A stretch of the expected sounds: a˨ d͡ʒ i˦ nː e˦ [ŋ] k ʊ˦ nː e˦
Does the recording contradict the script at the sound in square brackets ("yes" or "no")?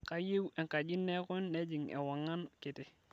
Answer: yes